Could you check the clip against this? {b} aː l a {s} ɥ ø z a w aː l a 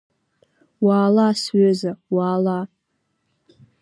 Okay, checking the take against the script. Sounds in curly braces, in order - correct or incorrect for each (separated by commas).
incorrect, correct